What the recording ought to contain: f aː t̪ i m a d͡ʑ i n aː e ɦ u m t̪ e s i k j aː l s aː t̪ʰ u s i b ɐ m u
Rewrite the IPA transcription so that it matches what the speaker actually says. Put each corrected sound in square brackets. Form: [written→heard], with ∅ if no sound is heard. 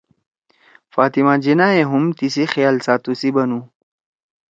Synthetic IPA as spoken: f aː t̪ i m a d͡ʑ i n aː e ɦ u m t̪ [e→i] s i [k→x] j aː l s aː [t̪ʰ→t̪] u s i b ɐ [m→n] u